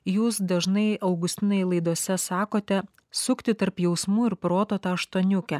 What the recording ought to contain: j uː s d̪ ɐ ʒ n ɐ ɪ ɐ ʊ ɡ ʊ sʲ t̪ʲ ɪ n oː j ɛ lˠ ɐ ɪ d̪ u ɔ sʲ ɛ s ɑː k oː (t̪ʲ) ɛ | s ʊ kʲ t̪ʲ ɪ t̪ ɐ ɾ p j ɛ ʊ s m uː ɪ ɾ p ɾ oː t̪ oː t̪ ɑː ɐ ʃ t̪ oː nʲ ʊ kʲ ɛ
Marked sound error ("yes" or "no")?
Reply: no